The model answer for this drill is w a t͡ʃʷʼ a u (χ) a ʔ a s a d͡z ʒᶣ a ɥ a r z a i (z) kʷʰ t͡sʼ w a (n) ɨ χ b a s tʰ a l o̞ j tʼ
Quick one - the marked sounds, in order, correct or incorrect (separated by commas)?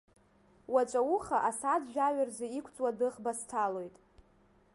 correct, incorrect, incorrect